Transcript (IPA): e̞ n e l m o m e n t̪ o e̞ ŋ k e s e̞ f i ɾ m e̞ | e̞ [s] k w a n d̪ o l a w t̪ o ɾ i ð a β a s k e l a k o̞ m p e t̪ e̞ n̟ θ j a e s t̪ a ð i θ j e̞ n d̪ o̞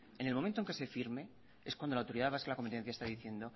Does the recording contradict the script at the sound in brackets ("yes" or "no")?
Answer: no